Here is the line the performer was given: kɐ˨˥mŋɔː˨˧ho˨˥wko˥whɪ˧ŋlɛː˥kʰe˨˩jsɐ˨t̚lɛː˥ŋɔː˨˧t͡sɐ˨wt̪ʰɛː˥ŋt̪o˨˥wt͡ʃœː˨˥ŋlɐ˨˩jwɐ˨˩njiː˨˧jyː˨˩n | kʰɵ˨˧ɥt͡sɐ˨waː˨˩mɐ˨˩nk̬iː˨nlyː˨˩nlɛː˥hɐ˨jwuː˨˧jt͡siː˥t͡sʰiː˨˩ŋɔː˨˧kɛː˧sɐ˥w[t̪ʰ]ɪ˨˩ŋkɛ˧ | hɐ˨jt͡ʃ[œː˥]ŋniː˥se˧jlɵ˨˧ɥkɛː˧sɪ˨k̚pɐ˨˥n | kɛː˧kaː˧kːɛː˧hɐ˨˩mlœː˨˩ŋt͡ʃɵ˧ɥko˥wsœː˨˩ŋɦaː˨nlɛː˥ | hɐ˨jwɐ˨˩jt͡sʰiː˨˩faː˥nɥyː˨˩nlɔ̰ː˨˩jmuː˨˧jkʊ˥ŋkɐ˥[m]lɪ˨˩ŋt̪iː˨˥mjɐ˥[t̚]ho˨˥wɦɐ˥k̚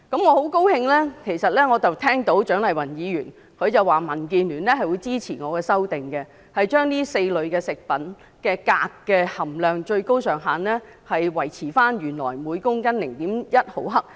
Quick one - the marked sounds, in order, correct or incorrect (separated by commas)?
incorrect, correct, incorrect, correct